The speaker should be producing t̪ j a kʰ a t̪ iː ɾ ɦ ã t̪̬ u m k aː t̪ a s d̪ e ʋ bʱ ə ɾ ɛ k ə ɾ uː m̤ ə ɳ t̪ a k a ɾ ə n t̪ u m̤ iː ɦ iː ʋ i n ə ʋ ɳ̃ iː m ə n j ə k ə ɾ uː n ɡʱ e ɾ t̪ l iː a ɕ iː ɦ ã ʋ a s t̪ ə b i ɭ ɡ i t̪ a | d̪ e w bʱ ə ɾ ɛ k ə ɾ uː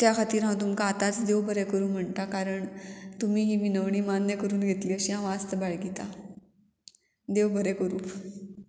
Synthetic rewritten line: t̪ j a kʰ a t̪ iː ɾ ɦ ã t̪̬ u m k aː t̪ a t͡s d̪ e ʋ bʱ ə ɾ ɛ k ə ɾ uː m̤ ə ɳ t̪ a k a ɾ ə ɳ t̪ u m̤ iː ɦ iː ʋ i n ə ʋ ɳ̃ iː m a n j ə k ə ɾ uː n ɡʱ e t̪ l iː ə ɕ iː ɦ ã ʋ a s t̪ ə b a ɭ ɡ i t̪ a | d̪ e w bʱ ə ɾ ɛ k ə ɾ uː